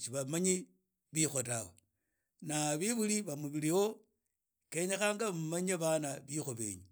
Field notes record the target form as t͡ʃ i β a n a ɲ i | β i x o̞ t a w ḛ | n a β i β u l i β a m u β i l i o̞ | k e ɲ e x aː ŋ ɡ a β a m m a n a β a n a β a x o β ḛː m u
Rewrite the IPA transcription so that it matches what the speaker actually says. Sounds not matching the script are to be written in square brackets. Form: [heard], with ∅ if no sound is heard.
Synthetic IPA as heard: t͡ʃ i β a [m] a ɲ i | β i x o̞ t a w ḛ | n a β i β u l i β a m u β i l i o̞ | k e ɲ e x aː ŋ ɡ a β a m m a [ɲ] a β a n a β [i] x o β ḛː [ɲ] u